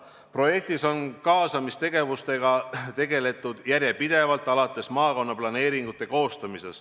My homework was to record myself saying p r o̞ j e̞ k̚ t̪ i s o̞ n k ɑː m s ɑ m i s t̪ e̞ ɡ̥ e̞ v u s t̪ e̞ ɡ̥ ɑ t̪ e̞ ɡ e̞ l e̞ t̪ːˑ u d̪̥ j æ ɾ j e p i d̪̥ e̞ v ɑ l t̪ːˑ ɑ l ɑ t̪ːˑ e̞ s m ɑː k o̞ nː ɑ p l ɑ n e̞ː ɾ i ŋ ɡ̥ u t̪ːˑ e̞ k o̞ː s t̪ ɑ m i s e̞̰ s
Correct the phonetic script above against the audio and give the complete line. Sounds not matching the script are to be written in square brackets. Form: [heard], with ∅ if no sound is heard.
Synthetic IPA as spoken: p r o̞ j e̞ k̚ t̪ i s o̞ n k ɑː [∅] s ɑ m i s t̪ e̞ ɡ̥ e̞ v u s t̪ e̞ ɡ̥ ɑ t̪ e̞ ɡ e̞ l e̞ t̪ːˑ u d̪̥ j æ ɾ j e p i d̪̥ e̞ v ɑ l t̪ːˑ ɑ l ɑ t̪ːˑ e̞ s m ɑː k o̞ nː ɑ p l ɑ n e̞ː ɾ i ŋ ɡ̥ u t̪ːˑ e̞ k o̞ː s t̪ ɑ m i s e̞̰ s

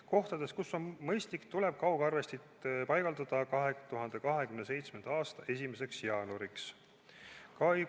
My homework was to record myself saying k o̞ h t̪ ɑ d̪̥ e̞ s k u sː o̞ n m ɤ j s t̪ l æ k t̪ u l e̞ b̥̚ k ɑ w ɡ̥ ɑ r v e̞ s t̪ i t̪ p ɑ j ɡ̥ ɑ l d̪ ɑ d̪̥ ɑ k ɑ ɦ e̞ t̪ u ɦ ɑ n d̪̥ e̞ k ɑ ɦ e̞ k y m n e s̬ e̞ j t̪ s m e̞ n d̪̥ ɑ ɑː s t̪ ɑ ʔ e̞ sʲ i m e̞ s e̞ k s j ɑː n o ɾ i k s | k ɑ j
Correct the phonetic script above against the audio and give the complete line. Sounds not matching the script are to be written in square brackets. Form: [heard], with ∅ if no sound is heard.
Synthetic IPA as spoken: k o̞ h t̪ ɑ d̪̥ e̞ s k u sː o̞ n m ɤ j s t̪ l [i] k t̪ u l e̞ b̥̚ k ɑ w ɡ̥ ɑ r v e̞ s t̪ i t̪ p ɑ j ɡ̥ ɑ l d̪ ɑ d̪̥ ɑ k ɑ ɦ e̞ t̪ u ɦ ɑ n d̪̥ e̞ k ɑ ɦ e̞ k y m n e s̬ e̞ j t̪ s m e̞ n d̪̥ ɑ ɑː s t̪ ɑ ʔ e̞ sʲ i m e̞ s e̞ k s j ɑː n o ɾ i k s | k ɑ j

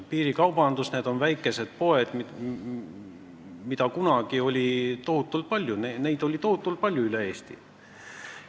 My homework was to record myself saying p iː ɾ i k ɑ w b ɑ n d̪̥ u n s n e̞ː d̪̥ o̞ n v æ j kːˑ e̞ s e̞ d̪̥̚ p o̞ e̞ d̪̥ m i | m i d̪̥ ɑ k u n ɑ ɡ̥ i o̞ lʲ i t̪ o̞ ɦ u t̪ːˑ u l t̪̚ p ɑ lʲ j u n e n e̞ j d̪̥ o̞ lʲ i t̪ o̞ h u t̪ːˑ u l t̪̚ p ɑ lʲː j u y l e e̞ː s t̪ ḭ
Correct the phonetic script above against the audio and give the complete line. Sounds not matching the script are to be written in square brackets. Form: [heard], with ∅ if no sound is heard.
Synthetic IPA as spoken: p iː ɾ i k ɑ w b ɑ n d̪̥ u [∅] s n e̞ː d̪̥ o̞ n v æ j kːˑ e̞ s e̞ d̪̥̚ p o̞ e̞ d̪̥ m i | m i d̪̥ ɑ k u n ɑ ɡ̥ i o̞ lʲ i t̪ o̞ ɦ u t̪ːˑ u l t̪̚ p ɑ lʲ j u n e n e̞ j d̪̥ o̞ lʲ i t̪ o̞ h u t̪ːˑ u l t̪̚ p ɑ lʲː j u y l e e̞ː s t̪ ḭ

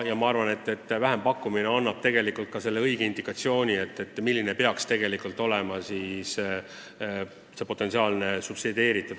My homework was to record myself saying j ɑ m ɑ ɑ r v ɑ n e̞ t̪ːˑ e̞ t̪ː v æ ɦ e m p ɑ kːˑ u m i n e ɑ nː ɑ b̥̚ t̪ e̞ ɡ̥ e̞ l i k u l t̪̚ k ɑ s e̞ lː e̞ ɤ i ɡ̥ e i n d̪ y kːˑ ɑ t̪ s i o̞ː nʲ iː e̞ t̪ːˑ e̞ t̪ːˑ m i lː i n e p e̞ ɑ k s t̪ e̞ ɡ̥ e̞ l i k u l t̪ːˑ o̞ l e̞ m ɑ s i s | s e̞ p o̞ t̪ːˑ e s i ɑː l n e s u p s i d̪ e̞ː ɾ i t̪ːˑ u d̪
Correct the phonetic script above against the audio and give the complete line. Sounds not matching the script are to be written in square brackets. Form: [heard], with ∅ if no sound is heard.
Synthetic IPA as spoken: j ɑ m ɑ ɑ r v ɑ n e̞ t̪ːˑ e̞ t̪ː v æ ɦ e m p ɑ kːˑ u m i n e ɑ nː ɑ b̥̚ t̪ e̞ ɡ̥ e̞ l i k u l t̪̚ k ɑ s e̞ lː e̞ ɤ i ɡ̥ e i n d̪ [i] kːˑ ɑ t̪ s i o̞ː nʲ [i] e̞ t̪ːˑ e̞ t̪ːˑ m i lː i n e p e̞ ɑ k s t̪ e̞ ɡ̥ e̞ l i k u l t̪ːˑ o̞ l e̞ m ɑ s i s | s e̞ p o̞ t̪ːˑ e s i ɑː l n e s u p s i d̪ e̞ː ɾ i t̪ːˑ u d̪

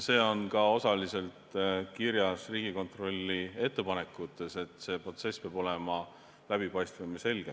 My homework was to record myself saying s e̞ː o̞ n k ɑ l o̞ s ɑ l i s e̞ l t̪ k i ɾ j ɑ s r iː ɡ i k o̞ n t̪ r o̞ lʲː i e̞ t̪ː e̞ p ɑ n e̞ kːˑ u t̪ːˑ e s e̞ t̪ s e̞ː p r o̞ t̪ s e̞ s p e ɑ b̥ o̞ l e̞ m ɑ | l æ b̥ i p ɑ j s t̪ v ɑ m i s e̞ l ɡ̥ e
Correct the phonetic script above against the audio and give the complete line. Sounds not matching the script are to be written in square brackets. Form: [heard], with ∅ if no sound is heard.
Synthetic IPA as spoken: s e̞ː o̞ n k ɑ [∅] o̞ s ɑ l i s e̞ l t̪ k i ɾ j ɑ s r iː ɡ i k o̞ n t̪ r o̞ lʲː i e̞ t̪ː e̞ p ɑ n e̞ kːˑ u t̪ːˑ e s e̞ t̪ s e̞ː p r o̞ t̪ s e̞ s p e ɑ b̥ o̞ l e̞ m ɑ | l æ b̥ i p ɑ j s t̪ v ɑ m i s e̞ l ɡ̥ e

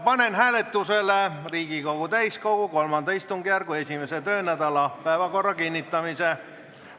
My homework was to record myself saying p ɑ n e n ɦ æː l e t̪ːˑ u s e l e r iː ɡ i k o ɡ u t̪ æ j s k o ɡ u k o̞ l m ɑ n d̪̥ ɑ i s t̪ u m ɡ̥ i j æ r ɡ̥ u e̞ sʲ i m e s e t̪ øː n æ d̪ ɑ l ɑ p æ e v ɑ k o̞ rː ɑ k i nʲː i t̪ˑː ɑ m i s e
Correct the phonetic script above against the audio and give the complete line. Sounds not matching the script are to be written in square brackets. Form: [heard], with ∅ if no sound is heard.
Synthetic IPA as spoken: p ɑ n e n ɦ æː l e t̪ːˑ u s e l e r iː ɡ i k o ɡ u t̪ æ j s k o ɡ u k o̞ l m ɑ n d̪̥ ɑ i s t̪ u [ŋ] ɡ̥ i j æ r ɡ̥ u e̞ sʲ i m e s e t̪ øː n æ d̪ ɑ l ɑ p æ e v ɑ k o̞ rː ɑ k i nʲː i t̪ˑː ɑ m i s e

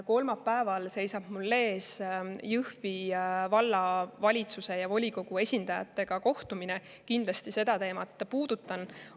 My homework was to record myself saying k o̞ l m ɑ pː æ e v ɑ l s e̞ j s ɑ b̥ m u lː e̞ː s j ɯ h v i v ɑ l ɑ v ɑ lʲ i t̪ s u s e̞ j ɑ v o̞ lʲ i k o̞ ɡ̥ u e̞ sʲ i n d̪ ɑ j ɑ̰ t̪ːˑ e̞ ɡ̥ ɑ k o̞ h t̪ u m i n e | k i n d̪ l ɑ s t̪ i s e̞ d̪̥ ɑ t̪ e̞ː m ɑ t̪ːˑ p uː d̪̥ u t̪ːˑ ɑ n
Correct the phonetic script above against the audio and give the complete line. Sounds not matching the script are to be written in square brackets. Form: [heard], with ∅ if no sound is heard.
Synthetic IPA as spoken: k o̞ l m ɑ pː æ e v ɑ l s e̞ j s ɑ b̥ m u lː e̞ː s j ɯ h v i v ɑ [lː] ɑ v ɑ lʲ i t̪ s u s e̞ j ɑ v o̞ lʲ i k o̞ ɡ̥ u e̞ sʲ i n d̪ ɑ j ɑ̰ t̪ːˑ e̞ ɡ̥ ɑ k o̞ h t̪ u m i n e | k i n d̪ l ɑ s t̪ i s e̞ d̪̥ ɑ t̪ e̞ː m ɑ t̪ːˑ p uː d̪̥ u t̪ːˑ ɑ n

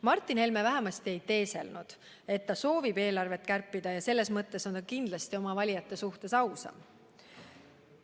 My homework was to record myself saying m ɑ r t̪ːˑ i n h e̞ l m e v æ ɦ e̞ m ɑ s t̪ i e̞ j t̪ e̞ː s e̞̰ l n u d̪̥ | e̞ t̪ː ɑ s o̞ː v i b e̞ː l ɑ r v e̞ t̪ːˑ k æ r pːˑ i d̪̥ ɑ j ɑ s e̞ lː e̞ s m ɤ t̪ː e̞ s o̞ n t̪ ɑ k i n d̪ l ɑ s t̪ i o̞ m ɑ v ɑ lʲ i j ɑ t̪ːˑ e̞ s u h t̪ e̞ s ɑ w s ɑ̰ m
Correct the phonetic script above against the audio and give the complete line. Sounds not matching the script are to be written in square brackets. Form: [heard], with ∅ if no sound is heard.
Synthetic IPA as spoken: m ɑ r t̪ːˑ i n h e̞ l m e v æ ɦ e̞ m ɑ s t̪ i e̞ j t̪ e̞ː s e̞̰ l n u d̪̥ | e̞ t̪ː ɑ s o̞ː v i b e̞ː l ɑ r v e̞ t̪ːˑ k æ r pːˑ i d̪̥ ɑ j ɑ s e̞ lː e̞ s m ɤ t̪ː e̞ s o̞ n t̪ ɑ k i n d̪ l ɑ s t̪ i o̞ m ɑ v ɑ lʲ i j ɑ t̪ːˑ e̞ s u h t̪ e̞ s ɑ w s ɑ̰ m

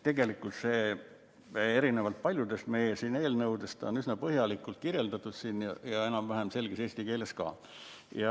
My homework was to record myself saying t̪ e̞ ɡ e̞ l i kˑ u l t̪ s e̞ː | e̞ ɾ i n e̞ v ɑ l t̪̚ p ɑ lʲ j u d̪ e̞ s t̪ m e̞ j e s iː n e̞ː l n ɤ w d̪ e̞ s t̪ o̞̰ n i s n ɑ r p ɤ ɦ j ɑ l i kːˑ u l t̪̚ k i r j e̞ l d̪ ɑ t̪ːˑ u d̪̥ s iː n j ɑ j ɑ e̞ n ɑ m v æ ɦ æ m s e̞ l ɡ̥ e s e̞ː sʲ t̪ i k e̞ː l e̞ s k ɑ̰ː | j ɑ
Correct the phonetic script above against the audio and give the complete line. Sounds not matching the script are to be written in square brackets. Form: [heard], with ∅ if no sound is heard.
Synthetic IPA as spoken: t̪ e̞ ɡ e̞ l i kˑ u l t̪ s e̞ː | e̞ ɾ i n e̞ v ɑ l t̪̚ p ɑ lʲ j u d̪ e̞ s t̪ m e̞ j e s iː n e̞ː l n ɤ w d̪ e̞ s t̪ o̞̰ n [y] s n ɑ [∅] p ɤ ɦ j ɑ l i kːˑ u l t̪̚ k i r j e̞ l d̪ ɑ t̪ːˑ u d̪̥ s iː n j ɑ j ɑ e̞ n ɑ m v æ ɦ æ m s e̞ l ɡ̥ e s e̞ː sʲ t̪ i k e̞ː l e̞ s k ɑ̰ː | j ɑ

